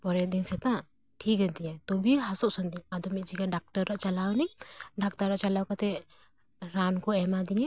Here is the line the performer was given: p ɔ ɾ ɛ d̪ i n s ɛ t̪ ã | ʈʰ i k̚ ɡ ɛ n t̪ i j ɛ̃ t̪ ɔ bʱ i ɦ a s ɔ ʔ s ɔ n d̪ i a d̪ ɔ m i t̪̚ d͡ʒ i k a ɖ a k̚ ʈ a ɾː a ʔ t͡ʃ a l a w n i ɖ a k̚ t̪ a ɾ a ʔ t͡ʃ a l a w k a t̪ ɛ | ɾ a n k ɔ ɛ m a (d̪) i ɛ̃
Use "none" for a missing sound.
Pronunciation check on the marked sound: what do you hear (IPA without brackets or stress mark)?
d̪